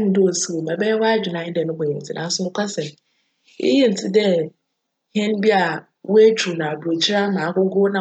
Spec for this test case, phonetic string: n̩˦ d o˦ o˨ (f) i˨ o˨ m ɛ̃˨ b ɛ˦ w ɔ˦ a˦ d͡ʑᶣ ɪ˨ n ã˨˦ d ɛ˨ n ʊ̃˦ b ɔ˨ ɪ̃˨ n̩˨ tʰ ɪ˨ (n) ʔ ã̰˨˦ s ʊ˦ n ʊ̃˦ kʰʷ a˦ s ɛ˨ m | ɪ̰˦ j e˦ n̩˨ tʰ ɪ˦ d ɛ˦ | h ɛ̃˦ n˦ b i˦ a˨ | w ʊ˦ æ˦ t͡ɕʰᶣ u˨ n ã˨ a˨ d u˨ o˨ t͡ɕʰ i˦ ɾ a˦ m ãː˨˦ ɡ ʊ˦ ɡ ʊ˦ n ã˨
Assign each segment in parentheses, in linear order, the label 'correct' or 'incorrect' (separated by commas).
incorrect, correct